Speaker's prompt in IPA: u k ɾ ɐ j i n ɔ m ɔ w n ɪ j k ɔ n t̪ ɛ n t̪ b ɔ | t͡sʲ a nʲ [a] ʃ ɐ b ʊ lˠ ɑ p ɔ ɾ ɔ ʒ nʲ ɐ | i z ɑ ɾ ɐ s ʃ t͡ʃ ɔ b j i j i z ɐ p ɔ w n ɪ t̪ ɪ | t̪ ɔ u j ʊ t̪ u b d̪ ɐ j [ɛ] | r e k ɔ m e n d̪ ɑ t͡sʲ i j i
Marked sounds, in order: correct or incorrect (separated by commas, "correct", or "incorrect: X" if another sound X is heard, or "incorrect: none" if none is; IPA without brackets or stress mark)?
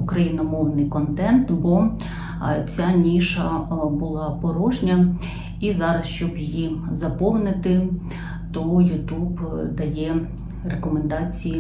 incorrect: i, correct